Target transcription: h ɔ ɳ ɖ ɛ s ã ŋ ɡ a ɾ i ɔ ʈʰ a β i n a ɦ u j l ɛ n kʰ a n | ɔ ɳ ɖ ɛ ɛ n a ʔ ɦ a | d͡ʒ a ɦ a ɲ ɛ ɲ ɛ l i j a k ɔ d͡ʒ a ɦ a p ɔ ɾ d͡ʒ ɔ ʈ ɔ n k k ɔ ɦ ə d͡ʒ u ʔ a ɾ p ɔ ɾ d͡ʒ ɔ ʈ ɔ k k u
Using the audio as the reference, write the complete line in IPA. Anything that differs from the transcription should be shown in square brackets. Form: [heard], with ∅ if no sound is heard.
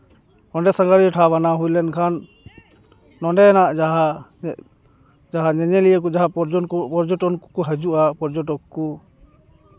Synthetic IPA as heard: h ɔ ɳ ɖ ɛ s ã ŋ ɡ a ɾ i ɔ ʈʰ a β [a] n a ɦ u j l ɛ n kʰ a n | ɔ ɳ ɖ ɛ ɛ n a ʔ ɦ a | d͡ʒ a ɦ a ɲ ɛ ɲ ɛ l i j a k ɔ d͡ʒ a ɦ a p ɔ ɾ d͡ʒ ɔ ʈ ɔ n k k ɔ ɦ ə d͡ʒ u ʔ a [∅] p ɔ ɾ d͡ʒ ɔ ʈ ɔ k k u